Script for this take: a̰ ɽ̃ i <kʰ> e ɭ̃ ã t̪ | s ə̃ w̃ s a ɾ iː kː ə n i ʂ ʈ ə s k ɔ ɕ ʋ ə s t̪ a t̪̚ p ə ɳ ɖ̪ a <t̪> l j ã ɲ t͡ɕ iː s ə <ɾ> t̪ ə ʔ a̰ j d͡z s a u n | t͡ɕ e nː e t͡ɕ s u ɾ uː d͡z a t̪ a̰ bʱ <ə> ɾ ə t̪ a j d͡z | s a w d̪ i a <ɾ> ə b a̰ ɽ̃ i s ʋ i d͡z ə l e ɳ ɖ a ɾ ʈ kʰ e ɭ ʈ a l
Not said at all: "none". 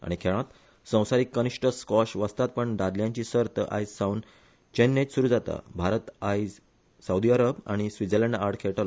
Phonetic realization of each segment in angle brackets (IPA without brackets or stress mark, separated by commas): kʰ, d̪, ɾ, a, ɾ